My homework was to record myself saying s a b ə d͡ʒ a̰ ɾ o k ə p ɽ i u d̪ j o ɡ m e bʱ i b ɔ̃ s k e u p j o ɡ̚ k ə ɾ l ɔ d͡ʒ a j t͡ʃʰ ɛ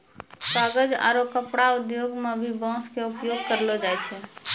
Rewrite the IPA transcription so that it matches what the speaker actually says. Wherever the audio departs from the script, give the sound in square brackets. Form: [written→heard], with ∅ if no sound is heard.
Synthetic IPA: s a [b→ɡ] ə d͡ʒ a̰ ɾ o k ə p ɽ [i→a] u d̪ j o ɡ m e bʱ i b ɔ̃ s k e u p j o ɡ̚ k ə ɾ l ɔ d͡ʒ a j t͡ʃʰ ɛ